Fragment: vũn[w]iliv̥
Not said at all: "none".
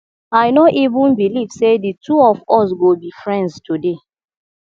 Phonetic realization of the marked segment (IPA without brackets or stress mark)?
b